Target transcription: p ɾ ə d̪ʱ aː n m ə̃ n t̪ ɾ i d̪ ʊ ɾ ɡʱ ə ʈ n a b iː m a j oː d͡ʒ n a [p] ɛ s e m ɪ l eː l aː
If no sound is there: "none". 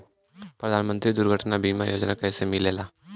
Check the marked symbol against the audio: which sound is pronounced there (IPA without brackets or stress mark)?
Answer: k